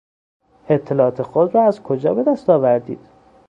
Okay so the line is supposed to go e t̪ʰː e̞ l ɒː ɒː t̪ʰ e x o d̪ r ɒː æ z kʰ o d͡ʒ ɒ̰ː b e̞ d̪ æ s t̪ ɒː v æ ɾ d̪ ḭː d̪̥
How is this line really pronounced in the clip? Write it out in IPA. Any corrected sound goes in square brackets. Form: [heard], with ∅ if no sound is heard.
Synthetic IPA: e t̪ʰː e̞ l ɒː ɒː t̪ʰ e x o d̪ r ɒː æ z kʰ o d͡ʒ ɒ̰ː b e̞ d̪ æ s t̪ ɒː v æ ɾ d̪ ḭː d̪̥